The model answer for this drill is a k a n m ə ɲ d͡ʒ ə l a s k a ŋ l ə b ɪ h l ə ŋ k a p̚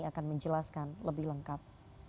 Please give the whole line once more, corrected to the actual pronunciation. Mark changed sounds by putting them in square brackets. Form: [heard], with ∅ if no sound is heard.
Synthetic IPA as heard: a k a n m ə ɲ d͡ʒ ə l a s k a [n] l ə b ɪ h l ə ŋ k a p̚